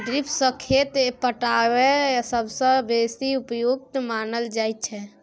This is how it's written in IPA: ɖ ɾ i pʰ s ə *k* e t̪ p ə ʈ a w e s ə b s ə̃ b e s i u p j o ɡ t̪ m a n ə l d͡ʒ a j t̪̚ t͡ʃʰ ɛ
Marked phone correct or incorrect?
incorrect